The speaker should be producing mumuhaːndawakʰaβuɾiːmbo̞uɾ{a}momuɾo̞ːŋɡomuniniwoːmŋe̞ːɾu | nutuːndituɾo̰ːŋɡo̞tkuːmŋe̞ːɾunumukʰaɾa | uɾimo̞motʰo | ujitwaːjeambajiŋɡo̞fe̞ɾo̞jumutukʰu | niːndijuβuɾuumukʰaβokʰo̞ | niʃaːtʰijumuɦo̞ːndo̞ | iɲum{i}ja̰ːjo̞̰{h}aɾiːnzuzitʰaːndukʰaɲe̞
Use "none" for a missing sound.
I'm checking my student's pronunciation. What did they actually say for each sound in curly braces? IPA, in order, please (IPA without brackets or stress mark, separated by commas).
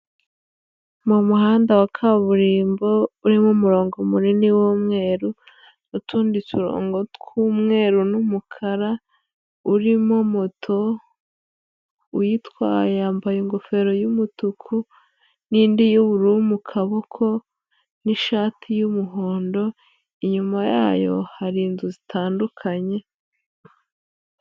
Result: i, a, h